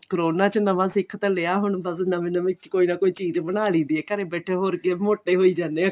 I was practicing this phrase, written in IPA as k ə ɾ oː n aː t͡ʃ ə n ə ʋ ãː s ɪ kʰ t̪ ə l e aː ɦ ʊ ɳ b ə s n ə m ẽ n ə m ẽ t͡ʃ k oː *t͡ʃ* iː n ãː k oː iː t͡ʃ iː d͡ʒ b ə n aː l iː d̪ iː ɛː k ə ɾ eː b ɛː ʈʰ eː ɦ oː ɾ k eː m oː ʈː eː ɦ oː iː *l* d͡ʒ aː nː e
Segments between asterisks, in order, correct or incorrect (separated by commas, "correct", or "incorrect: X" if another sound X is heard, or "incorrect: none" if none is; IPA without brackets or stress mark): incorrect: none, incorrect: none